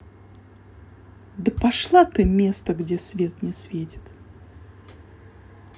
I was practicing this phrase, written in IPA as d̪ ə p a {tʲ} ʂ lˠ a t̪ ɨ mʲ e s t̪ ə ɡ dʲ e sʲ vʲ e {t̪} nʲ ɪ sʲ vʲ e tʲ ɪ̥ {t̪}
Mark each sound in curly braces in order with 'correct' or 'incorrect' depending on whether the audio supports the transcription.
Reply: incorrect: none, correct, correct

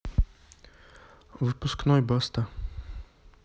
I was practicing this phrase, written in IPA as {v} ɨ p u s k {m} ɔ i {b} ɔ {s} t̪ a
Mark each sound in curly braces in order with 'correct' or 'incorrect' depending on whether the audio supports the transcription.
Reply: correct, incorrect: n, correct, correct

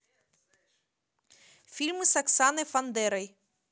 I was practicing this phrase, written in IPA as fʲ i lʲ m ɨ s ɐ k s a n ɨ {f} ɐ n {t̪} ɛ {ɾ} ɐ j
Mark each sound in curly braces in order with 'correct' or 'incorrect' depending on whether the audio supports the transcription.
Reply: correct, incorrect: d̪, correct

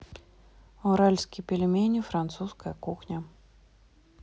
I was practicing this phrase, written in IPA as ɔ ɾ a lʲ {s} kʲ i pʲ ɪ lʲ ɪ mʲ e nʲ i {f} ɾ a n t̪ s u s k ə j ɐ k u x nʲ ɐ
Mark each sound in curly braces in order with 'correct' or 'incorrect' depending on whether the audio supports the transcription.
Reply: correct, correct

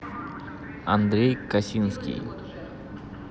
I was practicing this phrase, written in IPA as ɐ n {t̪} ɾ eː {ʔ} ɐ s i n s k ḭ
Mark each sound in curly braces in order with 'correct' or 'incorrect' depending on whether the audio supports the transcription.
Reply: incorrect: d̪, incorrect: k

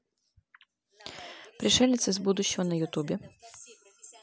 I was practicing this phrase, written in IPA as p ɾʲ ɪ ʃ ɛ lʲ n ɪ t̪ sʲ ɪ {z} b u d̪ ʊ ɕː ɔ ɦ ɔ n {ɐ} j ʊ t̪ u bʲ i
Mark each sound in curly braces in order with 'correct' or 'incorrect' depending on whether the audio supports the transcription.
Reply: correct, correct

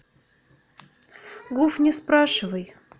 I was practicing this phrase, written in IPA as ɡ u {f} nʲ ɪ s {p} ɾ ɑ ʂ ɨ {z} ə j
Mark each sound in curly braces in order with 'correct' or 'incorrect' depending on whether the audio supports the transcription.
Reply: correct, correct, incorrect: v

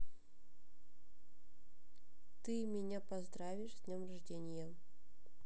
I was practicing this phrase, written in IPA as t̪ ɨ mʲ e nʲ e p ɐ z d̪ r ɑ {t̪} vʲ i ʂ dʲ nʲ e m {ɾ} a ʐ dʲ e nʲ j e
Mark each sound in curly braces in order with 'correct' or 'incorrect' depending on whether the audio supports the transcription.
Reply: incorrect: none, incorrect: r

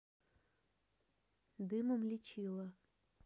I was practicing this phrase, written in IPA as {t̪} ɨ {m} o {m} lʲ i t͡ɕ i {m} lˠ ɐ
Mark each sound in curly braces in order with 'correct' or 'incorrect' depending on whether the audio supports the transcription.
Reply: incorrect: d̪, correct, correct, incorrect: none

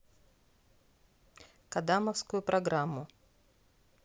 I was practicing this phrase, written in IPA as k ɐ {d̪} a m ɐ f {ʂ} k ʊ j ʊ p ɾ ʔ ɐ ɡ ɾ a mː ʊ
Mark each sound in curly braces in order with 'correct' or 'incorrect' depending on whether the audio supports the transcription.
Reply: correct, incorrect: s

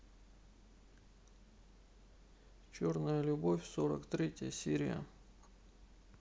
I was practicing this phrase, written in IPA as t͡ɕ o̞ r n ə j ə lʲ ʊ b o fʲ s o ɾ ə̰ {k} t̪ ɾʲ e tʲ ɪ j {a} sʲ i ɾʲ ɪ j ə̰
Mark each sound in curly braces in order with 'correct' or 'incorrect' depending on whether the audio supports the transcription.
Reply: correct, incorrect: ə

